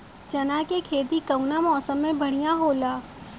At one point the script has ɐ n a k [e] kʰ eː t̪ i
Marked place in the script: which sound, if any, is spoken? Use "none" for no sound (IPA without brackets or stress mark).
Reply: e